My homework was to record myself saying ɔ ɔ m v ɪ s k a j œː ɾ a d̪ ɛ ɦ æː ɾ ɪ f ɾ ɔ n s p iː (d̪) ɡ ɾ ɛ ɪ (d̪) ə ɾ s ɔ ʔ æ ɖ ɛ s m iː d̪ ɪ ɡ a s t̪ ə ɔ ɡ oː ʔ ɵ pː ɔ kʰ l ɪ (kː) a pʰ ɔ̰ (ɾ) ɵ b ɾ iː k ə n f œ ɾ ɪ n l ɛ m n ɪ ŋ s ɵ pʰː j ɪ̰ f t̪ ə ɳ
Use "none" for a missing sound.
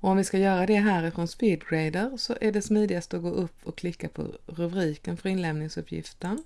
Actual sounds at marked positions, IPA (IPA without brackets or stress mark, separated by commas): d̪, d̪, kː, ɾ